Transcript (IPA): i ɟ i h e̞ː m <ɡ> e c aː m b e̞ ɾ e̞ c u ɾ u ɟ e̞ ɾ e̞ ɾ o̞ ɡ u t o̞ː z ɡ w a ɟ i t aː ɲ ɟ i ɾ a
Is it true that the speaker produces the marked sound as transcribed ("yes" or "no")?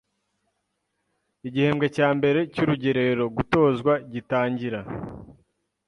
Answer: yes